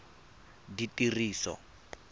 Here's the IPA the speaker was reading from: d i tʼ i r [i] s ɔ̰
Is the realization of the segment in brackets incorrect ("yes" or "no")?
yes